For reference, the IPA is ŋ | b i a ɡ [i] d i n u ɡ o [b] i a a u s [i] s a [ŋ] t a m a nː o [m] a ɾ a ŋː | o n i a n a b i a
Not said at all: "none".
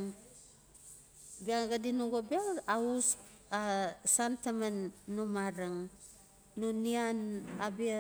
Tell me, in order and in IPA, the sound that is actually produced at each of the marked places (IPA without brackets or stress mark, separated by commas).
a, b, a, n, m